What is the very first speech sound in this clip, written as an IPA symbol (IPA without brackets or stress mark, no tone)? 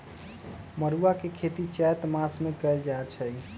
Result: m